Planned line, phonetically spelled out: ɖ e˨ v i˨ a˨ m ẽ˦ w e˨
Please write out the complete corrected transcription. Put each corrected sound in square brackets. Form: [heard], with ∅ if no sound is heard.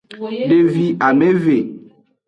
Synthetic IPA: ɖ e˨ v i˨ a˨ m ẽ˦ [v] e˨

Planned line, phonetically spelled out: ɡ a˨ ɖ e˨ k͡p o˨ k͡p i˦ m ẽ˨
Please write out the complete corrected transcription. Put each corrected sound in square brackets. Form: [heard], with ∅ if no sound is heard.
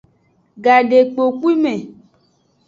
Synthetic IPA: ɡ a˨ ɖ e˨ k͡p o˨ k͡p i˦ m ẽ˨

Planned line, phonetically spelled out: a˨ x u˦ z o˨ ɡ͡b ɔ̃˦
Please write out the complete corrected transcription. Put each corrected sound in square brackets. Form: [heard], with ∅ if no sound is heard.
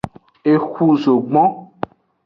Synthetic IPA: [e˨] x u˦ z o˨ ɡ͡b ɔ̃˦

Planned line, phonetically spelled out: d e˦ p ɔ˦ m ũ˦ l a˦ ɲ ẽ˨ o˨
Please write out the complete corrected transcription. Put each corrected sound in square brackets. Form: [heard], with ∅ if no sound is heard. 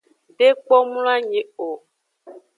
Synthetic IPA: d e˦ [k͡p] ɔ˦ m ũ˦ l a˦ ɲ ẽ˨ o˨

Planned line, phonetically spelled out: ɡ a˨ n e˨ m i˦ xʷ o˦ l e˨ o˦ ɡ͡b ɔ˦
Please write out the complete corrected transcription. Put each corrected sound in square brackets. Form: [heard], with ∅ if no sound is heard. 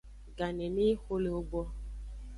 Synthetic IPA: ɡ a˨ n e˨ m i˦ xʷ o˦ l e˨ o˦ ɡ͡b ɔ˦

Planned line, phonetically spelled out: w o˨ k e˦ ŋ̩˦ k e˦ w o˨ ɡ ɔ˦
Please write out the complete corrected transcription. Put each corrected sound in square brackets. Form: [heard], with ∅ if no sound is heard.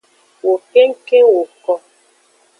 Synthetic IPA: w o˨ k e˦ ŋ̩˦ k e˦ w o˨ [k] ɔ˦

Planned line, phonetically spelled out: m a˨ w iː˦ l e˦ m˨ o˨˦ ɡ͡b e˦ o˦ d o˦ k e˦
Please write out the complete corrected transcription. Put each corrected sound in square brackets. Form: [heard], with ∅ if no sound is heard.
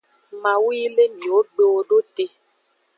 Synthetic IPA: m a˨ w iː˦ l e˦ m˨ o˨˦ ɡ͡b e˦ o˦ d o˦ [t] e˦

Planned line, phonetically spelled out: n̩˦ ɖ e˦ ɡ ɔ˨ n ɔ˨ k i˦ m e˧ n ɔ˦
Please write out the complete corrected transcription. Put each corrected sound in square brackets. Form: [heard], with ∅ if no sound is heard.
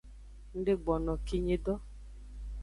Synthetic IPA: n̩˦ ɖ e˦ [ɡ͡b] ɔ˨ n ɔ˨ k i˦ [ɲ] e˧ [d] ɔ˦

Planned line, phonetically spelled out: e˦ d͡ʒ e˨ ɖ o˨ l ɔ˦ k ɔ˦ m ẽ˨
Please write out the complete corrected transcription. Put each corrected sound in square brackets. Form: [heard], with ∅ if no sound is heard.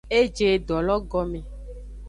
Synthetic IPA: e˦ d͡ʒ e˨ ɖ [ɔ˨] l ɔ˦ [ɡ] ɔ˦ m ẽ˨

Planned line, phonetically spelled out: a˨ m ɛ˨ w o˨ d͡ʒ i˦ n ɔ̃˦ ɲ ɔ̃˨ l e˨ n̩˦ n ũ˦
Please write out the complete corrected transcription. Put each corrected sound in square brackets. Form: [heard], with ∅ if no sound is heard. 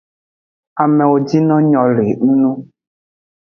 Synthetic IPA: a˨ m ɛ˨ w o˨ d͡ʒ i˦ n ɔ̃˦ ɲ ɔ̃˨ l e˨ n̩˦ n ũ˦

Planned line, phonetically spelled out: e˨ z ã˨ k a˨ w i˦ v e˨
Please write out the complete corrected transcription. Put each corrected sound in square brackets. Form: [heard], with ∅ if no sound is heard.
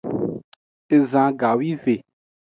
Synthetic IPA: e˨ z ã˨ [ɡ] a˨ w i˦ v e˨

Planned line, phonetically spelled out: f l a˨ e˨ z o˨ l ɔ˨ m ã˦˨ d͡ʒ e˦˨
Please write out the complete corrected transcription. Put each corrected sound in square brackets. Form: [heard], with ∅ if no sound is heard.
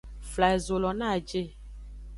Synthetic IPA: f l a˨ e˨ z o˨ l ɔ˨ [n] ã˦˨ d͡ʒ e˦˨

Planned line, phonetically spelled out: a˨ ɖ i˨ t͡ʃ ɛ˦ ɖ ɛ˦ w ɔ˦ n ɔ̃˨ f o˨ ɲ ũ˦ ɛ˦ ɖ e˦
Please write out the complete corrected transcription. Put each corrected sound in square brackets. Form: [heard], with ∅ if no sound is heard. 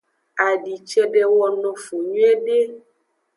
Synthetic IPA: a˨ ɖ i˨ t͡ʃ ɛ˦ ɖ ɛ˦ w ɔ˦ n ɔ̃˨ f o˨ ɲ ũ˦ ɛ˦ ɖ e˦

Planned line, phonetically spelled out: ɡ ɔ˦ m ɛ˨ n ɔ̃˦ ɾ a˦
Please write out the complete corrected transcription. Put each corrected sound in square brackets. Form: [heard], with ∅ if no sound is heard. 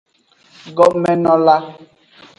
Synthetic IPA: ɡ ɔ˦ m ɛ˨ n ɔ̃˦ [l] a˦

